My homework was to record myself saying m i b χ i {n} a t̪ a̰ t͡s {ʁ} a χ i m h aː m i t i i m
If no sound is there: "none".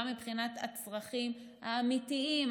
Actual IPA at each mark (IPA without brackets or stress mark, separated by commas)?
n, ʁ